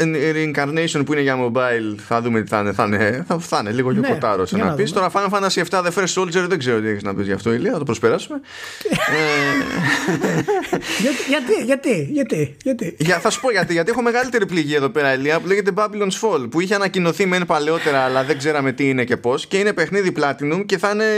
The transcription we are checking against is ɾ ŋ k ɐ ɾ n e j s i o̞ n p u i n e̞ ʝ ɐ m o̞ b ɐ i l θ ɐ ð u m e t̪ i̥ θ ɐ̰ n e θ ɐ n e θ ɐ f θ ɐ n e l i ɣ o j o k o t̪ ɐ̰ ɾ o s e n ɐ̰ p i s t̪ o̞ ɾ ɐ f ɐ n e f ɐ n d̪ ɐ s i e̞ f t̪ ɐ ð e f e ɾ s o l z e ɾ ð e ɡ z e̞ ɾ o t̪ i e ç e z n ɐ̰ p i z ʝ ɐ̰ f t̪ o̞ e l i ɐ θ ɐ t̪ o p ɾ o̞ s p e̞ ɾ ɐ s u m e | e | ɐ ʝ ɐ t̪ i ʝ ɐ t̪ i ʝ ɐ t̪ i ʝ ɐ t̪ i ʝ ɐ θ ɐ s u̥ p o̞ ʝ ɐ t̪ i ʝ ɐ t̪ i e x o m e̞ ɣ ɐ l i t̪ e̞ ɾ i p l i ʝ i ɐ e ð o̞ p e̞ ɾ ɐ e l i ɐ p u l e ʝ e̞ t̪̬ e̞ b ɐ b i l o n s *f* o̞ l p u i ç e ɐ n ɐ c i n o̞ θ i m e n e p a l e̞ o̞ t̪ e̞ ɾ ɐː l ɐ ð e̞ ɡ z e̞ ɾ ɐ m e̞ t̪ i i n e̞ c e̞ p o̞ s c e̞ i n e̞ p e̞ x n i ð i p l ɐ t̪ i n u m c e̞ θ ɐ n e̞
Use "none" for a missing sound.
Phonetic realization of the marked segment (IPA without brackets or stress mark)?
f